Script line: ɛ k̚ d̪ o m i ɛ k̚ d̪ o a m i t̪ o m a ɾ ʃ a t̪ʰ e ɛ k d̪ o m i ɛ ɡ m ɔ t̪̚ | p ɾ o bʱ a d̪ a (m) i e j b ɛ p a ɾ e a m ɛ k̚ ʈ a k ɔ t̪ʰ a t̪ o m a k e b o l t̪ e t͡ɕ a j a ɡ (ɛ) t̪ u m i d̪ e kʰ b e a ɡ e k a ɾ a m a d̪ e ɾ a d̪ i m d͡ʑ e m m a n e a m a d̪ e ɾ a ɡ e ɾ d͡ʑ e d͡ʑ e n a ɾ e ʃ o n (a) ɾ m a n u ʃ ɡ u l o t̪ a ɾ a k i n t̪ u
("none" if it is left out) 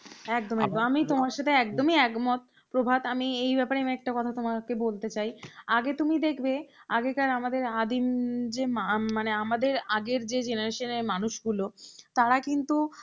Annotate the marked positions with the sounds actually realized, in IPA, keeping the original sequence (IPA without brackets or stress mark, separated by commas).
m, e, e